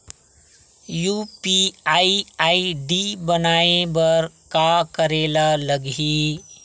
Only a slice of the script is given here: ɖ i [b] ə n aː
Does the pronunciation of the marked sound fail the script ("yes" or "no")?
no